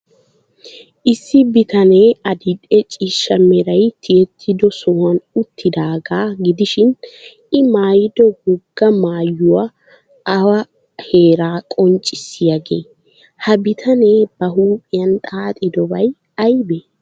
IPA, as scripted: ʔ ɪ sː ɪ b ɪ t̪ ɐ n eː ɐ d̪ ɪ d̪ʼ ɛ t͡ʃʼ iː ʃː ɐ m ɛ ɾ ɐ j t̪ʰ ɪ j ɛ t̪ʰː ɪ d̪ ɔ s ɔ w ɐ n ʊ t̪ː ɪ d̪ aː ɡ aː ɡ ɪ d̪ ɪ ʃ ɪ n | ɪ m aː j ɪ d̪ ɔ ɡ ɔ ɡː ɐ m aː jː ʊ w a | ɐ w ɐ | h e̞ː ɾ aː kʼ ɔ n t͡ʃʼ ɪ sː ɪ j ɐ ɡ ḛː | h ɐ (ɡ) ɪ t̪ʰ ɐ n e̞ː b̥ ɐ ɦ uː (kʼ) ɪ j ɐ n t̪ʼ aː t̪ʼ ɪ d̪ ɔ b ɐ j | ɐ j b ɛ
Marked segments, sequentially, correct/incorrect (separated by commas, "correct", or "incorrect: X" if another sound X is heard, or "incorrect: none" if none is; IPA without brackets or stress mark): incorrect: b, incorrect: pʼ